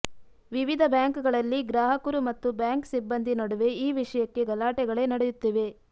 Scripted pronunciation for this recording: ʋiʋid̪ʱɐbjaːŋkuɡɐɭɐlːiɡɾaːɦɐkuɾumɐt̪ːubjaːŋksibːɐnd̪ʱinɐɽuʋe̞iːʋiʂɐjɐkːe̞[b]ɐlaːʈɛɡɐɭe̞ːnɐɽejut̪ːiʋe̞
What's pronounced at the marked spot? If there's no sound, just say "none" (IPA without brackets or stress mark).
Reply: ɡ